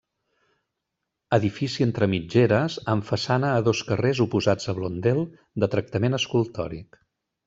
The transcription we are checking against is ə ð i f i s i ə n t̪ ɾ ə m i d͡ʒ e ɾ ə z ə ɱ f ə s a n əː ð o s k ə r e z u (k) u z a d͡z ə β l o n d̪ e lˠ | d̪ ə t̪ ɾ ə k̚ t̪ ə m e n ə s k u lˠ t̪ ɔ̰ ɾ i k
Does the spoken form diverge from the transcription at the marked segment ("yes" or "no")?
yes